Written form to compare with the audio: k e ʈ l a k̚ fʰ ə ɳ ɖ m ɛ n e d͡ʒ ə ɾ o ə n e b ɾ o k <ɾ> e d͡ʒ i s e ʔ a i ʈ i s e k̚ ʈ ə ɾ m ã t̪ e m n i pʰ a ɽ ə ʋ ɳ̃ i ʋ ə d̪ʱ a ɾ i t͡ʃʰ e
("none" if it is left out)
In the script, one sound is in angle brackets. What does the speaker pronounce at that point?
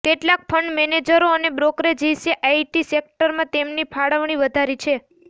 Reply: ɾ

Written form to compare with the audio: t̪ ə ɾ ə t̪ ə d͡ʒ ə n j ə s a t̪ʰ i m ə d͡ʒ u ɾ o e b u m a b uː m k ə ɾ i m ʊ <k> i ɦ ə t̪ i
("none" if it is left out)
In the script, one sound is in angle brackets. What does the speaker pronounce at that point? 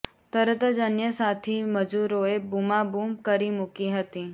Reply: k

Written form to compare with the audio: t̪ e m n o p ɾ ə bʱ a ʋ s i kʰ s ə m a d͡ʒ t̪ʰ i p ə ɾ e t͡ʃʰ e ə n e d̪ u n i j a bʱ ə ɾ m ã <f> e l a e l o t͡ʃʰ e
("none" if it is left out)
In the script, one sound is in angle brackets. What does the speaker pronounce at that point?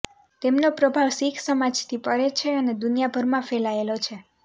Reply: f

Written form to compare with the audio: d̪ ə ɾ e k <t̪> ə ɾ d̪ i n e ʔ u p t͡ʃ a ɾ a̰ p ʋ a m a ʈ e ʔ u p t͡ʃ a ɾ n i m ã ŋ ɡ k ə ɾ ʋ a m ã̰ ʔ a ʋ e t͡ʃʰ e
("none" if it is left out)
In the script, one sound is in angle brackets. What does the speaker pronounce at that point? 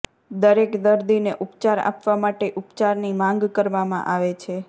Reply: d̪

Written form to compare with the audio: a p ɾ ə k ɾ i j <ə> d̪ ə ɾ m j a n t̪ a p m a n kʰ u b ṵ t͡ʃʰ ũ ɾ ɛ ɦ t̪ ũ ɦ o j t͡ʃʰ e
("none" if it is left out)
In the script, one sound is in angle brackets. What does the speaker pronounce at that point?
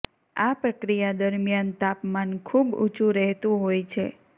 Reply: a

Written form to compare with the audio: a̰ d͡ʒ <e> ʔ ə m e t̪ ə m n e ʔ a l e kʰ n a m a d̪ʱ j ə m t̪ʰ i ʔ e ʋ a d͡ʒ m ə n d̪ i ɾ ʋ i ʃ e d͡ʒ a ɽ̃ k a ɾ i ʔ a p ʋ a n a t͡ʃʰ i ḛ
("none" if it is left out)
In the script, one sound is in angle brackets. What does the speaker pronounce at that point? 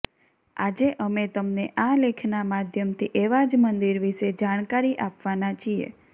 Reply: e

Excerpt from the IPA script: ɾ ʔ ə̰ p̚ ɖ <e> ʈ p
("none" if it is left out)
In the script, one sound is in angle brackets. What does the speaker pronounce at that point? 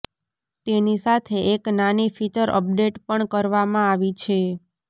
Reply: e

